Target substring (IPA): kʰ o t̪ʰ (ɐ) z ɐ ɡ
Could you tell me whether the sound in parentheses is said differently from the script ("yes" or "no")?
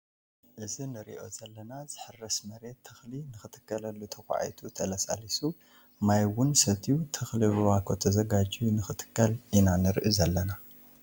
no